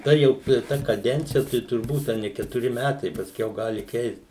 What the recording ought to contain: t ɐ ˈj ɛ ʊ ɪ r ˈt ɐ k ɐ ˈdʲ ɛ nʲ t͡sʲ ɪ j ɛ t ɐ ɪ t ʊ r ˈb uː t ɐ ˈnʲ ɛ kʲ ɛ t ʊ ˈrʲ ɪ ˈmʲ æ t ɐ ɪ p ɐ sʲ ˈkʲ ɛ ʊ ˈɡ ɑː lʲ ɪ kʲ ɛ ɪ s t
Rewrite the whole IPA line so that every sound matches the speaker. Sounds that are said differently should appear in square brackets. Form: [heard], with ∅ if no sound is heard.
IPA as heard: t ɐ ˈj ɛ ʊ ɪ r ˈt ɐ k ɐ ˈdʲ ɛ nʲ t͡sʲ ɪ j ɛ t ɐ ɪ t ʊ r ˈb uː t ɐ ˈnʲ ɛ kʲ ɛ t ʊ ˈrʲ ɪ ˈmʲ æ t ɐ ɪ p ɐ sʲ ˈkʲ ɛ ʊ ˈɡ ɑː lʲ ɪ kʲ ɛ ɪ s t

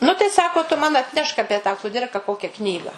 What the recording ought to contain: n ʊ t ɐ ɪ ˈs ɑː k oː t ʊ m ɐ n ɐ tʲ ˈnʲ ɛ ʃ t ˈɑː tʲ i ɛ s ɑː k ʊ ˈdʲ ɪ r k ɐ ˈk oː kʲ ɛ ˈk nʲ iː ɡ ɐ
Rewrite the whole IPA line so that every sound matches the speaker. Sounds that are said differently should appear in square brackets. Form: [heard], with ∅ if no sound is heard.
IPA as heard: n ʊ t ɐ ɪ ˈs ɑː k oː t ʊ m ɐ n ɐ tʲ ˈnʲ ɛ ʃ [k] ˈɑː [pʲ] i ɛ [t] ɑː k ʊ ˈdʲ ɪ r k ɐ ˈk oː kʲ ɛ ˈk nʲ iː ɡ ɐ

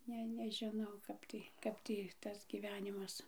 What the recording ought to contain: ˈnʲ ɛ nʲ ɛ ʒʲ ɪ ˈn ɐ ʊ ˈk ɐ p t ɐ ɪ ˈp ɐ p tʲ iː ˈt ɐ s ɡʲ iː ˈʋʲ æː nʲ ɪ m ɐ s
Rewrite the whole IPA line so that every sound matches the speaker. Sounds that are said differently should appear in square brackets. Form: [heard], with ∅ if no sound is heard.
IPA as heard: ˈnʲ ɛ nʲ ɛ ʒʲ ɪ ˈn ɐ ʊ ˈk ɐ p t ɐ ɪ [ˈk] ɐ p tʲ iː ˈt ɐ s ɡʲ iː ˈʋʲ æː nʲ ɪ m ɐ s

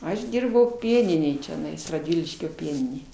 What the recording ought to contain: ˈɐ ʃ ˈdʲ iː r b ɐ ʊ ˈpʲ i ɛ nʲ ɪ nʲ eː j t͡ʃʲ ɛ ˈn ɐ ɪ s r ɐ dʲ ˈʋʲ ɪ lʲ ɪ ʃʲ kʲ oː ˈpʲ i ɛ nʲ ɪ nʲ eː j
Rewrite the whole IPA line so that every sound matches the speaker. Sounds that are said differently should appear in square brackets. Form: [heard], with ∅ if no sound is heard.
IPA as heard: ˈɐ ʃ ˈdʲ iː r b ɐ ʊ ˈpʲ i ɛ nʲ ɪ nʲ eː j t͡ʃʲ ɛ ˈn ɐ ɪ s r ɐ dʲ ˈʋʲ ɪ lʲ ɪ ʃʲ kʲ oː ˈpʲ i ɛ nʲ ɪ nʲ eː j

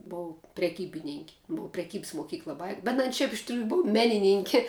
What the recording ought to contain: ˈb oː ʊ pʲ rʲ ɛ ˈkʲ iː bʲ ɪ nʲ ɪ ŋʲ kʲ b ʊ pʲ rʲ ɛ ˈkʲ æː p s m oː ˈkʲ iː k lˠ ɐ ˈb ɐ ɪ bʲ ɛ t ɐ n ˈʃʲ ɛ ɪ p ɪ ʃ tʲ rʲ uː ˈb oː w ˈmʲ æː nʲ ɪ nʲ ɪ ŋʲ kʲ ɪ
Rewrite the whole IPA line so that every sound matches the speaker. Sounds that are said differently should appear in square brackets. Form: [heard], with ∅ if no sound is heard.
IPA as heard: ˈb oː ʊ pʲ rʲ ɛ ˈkʲ iː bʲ ɪ nʲ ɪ ŋʲ kʲ b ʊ pʲ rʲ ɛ ˈkʲ [iː] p s m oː ˈkʲ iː k lˠ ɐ ˈb ɐ ɪ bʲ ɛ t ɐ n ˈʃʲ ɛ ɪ p ɪ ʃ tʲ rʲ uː ˈb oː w ˈmʲ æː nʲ ɪ nʲ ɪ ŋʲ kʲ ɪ

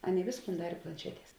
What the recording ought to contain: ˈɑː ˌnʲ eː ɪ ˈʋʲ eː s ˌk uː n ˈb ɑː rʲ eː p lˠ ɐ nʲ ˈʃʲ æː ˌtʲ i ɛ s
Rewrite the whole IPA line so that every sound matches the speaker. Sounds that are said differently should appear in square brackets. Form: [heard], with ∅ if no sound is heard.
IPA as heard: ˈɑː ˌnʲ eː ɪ ˈʋʲ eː s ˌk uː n [ˈd] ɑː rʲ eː p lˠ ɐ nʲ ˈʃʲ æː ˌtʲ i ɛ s

